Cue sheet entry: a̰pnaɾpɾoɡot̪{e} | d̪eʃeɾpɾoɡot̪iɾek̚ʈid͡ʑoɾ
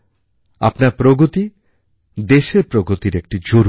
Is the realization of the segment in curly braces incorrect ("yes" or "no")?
yes